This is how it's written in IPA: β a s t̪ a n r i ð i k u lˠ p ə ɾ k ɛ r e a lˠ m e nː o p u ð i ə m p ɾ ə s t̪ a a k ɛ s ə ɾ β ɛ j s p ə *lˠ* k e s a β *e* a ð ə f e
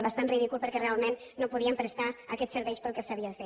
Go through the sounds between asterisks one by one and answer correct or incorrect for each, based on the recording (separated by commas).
correct, incorrect